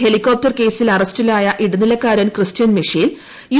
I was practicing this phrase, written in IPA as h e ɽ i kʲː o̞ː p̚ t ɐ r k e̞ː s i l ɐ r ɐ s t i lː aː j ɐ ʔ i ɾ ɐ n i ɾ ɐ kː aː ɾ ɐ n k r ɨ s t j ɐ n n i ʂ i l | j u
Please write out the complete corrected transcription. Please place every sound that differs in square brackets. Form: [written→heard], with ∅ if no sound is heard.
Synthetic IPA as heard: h e [ɽ→l] i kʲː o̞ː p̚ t ɐ r k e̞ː s i l ɐ r ɐ s t i [lː→l] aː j ɐ ʔ i [ɾ→ɽ] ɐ n i [ɾ→l] ɐ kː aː ɾ ɐ n k r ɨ s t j ɐ n [n→m] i ʂ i l | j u